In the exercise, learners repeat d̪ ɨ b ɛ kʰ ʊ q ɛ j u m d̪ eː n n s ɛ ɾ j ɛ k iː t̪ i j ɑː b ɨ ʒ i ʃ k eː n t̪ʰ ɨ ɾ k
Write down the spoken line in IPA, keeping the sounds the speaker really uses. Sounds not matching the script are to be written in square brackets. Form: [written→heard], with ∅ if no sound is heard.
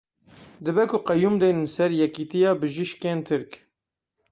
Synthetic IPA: d̪ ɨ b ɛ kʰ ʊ q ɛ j u m d̪ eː n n s ɛ ɾ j ɛ k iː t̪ i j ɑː b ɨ ʒ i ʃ k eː n t̪ʰ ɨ ɾ k